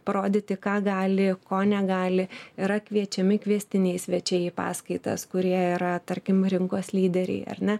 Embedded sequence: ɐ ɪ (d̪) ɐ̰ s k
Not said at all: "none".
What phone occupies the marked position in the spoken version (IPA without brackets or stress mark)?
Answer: t̪